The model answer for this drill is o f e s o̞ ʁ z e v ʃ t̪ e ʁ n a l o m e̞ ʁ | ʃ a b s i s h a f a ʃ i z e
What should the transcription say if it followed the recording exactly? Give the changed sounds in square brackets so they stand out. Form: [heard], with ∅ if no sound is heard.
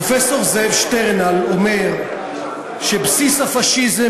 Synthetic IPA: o f e s o̞ ʁ z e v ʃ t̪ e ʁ n a l o m e̞ ʁ | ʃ [e] b s i s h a f a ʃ i z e